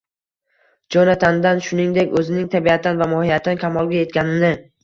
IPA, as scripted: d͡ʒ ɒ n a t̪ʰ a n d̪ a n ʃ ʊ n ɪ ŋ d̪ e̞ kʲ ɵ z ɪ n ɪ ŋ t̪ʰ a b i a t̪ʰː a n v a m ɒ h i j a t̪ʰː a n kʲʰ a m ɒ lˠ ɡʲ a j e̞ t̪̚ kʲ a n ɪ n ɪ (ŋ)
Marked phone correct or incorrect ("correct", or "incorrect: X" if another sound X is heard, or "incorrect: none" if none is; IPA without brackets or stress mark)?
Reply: incorrect: none